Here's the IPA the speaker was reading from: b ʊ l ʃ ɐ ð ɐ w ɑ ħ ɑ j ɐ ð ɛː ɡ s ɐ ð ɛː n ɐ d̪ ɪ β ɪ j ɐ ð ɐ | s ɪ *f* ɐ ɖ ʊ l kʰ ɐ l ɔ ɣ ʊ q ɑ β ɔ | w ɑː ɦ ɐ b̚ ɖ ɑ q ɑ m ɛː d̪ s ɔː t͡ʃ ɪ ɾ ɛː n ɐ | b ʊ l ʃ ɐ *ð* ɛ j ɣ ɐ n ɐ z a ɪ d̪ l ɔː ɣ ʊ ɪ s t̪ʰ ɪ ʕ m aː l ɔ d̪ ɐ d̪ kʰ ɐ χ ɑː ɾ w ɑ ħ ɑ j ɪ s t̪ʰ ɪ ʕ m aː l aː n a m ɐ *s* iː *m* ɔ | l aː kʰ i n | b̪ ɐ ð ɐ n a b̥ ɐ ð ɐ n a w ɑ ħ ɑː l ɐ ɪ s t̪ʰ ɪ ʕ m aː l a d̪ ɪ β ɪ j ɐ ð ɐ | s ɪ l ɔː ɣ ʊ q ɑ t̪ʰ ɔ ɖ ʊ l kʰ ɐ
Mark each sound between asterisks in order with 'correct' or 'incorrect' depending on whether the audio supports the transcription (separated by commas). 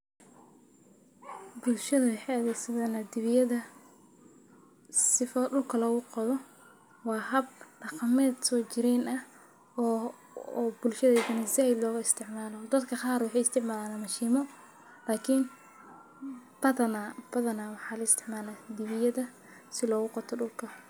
correct, correct, incorrect, correct